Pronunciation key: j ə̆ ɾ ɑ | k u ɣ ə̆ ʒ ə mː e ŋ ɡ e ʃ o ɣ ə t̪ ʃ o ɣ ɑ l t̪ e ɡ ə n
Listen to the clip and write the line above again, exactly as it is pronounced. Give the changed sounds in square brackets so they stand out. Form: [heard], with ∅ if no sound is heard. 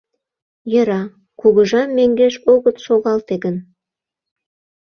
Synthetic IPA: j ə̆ ɾ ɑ | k u ɣ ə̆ ʒ [ɑ] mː e ŋ ɡ e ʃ o ɣ ə t̪ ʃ o ɣ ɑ l t̪ e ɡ ə n

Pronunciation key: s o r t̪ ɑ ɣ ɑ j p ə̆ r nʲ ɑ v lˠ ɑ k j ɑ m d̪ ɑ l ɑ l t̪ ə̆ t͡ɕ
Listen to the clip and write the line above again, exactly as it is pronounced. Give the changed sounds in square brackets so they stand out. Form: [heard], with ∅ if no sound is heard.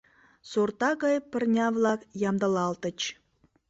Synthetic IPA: s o r t̪ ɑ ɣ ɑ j p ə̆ r nʲ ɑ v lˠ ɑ k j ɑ m d̪ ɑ l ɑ l t̪ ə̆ t͡ɕ

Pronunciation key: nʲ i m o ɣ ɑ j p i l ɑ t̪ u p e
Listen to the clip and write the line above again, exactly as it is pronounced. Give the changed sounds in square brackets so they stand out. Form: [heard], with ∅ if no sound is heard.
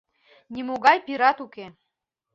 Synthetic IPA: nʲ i m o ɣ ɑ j p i [ɾ] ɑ t̪ u [k] e

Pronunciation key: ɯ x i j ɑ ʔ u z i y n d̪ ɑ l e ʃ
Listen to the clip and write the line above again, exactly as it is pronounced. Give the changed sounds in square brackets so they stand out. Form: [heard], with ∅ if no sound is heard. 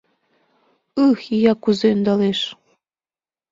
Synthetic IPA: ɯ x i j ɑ [k] u z [e] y n d̪ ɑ l e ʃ

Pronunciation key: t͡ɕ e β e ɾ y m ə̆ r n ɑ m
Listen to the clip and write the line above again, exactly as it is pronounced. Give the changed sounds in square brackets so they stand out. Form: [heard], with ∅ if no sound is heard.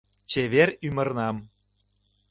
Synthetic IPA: t͡ɕ e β e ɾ y m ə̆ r n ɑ m

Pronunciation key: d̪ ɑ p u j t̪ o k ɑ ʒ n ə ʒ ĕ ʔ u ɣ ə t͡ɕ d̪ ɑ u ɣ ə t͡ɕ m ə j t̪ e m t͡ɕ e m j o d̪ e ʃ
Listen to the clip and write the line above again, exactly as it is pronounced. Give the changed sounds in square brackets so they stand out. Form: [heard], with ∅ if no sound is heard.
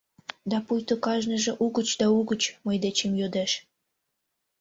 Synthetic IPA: d̪ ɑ p u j t̪ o k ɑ ʒ n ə ʒ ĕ ʔ u ɣ ə t͡ɕ d̪ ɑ u ɣ ə t͡ɕ m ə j [d̪] e [∅] t͡ɕ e m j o d̪ e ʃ

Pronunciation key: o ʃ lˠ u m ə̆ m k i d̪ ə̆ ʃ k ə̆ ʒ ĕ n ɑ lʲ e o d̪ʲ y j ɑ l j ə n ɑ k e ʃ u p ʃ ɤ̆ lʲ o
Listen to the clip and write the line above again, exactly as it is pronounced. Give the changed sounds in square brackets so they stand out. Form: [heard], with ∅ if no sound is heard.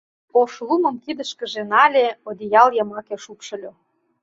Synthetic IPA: o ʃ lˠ u m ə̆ m k i d̪ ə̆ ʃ k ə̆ ʒ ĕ n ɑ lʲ e o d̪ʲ [i] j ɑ l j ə [m] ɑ k e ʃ u p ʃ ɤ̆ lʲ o

